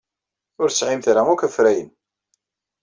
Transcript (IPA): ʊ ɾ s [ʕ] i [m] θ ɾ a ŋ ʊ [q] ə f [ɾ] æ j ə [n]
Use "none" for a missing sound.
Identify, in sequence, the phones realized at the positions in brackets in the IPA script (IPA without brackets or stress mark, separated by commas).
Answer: ʕ, m, k, ɾ, n